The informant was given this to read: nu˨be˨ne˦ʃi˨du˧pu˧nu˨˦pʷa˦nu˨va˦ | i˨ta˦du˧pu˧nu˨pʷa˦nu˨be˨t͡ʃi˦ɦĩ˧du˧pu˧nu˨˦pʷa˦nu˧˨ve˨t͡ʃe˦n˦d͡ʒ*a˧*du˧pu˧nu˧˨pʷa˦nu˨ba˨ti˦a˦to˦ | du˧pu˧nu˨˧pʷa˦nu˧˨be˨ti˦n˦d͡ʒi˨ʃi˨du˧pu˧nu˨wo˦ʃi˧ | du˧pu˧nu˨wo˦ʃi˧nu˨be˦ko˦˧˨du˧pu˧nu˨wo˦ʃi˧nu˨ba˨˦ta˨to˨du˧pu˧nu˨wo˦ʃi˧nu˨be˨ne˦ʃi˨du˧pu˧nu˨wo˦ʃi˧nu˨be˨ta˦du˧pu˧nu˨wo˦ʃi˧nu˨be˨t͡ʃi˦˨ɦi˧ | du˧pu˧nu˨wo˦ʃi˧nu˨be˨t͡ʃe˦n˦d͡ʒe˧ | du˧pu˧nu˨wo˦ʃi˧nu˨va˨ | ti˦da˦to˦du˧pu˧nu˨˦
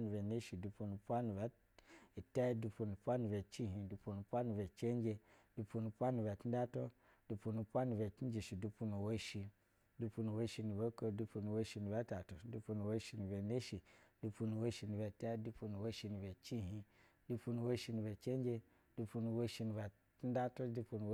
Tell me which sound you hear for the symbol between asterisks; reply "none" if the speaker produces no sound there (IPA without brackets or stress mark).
e˧